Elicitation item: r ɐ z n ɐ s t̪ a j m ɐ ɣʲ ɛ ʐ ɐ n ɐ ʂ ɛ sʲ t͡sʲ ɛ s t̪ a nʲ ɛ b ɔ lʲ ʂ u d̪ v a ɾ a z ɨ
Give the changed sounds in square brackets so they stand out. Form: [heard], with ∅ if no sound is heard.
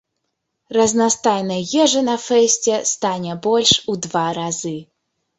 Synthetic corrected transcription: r ɐ z n [a] s t̪ a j [n] ɐ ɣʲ ɛ ʐ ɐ n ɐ [f] ɛ sʲ t͡sʲ ɛ s t̪ a nʲ ɛ b ɔ lʲ ʂ u d̪ v a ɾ a z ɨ